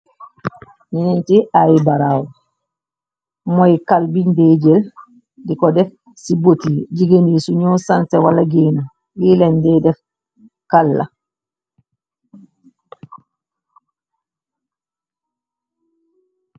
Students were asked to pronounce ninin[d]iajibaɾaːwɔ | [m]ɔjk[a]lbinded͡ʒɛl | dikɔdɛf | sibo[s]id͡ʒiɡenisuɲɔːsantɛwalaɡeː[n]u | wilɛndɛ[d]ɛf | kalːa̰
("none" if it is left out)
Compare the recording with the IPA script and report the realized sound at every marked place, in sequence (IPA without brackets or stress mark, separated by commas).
t, m, a, t, n, d